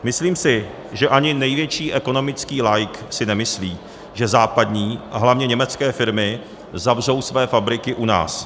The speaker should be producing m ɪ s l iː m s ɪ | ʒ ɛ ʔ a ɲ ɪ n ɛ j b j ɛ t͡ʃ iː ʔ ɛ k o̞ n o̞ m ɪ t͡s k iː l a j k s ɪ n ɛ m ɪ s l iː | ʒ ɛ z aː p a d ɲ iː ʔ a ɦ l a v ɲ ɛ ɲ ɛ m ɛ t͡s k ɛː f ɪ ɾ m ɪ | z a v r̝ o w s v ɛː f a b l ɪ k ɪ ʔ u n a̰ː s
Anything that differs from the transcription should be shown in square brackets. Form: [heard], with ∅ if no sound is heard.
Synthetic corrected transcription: m ɪ s l iː m s ɪ | ʒ ɛ ʔ a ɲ ɪ n ɛ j [v] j ɛ t͡ʃ iː ʔ ɛ k o̞ n o̞ m ɪ t͡s k iː l a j k s ɪ n ɛ m ɪ s l iː | ʒ ɛ z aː p a d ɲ iː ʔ a ɦ l a v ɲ ɛ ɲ ɛ m ɛ t͡s k ɛː f ɪ ɾ m ɪ | z a v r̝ o w s v ɛː f a b [ɾ] ɪ k ɪ ʔ u n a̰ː s